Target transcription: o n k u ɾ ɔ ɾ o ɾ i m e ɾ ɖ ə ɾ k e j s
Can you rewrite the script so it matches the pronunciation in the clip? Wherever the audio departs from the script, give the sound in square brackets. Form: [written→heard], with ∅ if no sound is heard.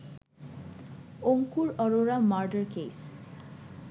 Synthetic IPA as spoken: o [n→ŋ] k u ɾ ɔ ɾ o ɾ [i→a] m [e→a] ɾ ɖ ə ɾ k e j s